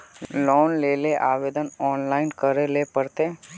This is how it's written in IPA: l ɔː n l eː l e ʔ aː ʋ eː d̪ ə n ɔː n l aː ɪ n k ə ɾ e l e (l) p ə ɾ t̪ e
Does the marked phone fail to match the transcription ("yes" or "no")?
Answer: yes